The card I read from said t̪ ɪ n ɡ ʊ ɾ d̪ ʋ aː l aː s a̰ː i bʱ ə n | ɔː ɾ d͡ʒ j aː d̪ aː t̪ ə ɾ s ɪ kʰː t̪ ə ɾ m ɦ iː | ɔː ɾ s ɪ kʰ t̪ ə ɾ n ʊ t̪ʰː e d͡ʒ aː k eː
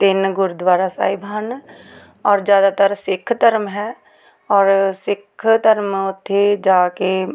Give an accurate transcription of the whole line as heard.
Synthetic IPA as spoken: t̪ ɪ n ɡ ʊ ɾ d̪ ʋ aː ɾ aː s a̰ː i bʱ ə n | ɔː ɾ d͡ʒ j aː d̪ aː t̪ ə ɾ s ɪ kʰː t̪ ə ɾ m ɦ ɛː | ɔː ɾ s ɪ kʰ t̪ ə ɾ m ʊ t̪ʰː e d͡ʒ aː k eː